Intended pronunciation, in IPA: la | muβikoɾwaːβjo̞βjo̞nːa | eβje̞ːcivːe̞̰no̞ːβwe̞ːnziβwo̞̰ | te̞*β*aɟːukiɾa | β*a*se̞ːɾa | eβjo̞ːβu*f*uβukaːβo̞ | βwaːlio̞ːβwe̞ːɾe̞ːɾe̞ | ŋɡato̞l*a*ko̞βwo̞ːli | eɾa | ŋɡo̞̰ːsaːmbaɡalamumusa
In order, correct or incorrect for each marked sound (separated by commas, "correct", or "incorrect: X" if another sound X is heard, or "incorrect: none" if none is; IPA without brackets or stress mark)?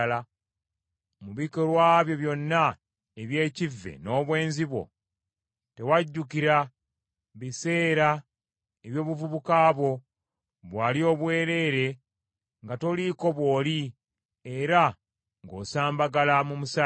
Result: incorrect: w, incorrect: i, incorrect: v, incorrect: i